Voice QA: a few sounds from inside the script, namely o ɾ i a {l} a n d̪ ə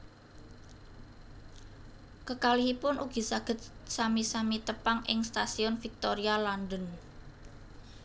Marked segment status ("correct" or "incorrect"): correct